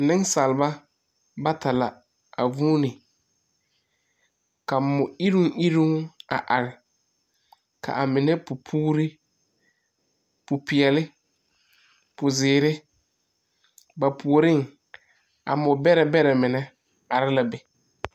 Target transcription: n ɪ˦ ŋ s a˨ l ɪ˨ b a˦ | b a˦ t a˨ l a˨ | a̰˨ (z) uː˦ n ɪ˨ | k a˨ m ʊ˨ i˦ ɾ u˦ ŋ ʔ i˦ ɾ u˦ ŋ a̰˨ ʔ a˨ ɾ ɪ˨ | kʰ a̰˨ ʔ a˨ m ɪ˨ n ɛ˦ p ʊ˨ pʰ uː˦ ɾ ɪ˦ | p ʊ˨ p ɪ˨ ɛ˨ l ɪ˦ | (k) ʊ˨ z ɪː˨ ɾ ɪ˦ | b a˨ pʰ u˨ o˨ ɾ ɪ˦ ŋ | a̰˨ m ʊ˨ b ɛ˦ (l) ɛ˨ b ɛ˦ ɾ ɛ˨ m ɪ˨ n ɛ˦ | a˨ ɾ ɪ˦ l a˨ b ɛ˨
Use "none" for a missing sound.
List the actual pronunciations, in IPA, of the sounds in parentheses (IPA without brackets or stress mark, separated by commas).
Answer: v, p, ɾ